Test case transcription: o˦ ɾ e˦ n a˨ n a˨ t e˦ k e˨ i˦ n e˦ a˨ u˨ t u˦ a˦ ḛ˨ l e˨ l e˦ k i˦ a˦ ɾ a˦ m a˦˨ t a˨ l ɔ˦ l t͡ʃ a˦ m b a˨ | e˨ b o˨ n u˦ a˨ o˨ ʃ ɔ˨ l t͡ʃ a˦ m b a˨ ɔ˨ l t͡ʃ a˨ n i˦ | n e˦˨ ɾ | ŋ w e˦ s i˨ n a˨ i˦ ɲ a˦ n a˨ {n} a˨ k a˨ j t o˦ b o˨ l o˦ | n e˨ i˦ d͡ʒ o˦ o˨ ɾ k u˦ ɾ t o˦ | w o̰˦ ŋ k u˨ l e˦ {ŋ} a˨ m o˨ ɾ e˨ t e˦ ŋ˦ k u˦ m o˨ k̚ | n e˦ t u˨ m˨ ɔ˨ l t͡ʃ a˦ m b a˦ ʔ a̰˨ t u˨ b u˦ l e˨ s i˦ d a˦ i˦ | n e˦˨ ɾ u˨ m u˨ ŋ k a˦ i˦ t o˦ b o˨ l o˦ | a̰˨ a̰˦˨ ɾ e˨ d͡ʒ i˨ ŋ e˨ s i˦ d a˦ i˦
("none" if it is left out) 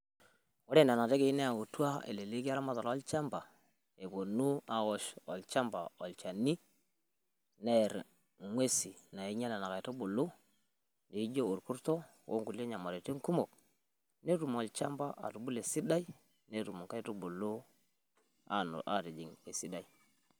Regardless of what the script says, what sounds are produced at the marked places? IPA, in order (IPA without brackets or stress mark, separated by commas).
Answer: n, ɲ